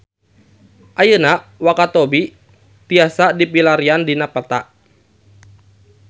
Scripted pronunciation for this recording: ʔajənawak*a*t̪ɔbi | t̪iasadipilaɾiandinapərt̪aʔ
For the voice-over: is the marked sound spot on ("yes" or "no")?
yes